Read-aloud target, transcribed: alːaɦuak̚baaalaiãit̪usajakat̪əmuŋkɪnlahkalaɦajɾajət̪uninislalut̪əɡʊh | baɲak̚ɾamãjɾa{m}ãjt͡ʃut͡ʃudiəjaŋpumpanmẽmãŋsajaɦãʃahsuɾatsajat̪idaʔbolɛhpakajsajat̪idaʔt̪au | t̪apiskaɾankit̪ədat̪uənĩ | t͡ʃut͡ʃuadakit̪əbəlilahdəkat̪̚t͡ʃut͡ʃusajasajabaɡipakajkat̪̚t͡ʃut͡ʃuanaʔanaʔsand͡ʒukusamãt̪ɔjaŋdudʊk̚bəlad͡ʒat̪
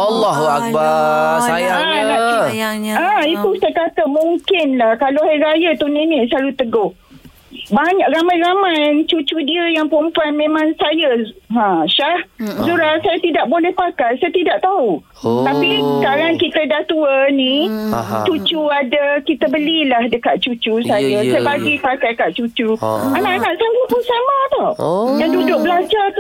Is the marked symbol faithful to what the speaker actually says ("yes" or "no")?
yes